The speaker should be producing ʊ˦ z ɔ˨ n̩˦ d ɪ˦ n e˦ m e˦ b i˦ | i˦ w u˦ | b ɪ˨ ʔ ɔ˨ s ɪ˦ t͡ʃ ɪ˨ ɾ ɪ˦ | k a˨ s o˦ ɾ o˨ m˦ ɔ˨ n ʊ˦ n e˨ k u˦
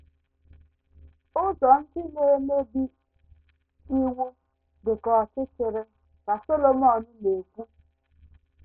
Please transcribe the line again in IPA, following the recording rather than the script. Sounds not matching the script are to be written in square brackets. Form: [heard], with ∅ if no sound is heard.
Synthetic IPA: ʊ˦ z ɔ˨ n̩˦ d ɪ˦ n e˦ m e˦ b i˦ | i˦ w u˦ | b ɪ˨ [k] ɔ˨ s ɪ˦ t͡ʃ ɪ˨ ɾ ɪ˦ | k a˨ s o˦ [l] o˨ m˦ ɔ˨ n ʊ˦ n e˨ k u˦